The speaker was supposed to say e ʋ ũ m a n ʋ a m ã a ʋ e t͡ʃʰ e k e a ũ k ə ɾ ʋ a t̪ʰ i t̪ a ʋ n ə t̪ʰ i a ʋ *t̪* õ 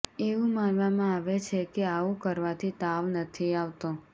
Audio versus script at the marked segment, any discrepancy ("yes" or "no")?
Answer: no